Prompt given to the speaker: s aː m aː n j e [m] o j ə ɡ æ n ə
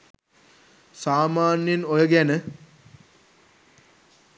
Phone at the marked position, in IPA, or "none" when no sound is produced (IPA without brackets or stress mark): n